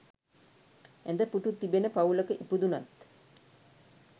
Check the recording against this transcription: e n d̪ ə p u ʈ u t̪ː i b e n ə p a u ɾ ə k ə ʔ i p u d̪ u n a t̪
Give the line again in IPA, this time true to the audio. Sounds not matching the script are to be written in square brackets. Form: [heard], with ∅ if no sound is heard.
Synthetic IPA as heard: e n d̪ ə p u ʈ u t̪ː i b e n ə p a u [l] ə k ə ʔ i p u d̪ u n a t̪